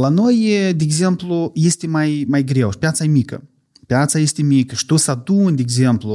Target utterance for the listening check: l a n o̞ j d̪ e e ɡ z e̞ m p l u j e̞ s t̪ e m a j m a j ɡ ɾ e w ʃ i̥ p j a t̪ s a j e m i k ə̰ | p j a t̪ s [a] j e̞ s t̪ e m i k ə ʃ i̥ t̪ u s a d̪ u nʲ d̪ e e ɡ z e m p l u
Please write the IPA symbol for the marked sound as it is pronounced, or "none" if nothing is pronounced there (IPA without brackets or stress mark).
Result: a